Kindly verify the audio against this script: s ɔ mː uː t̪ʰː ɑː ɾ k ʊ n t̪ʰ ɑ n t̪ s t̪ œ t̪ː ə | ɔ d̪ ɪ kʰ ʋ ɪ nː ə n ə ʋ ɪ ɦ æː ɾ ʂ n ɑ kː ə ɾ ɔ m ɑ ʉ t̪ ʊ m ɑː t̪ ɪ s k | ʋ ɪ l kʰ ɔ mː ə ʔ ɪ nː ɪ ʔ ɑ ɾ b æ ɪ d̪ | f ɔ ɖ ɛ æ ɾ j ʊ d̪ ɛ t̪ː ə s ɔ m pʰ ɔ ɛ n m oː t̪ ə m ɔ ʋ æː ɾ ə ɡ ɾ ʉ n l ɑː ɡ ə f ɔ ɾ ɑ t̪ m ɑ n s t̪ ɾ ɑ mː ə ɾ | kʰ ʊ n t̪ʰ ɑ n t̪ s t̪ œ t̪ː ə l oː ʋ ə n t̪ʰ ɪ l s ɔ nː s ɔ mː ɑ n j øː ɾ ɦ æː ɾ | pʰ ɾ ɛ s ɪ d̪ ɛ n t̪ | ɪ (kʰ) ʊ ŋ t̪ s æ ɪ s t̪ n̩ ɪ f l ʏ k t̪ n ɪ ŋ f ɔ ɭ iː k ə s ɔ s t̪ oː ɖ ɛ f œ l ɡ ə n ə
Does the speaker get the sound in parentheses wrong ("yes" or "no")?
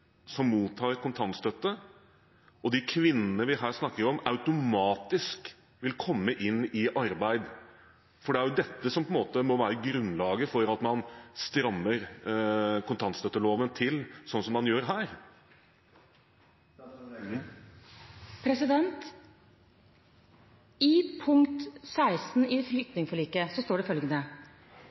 yes